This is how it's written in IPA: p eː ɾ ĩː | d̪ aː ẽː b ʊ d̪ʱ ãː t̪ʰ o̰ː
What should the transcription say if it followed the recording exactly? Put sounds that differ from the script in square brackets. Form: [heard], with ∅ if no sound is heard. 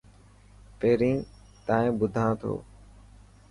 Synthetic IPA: p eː ɾ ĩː | [t̪] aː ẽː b ʊ d̪ʱ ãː t̪ʰ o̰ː